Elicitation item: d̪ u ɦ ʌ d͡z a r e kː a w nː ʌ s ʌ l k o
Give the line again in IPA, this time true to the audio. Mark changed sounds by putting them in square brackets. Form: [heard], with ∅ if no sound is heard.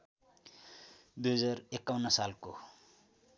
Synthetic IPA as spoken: d̪ u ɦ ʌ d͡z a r e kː a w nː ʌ s [a] l k o